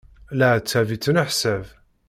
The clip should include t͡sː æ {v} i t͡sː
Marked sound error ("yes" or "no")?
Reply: no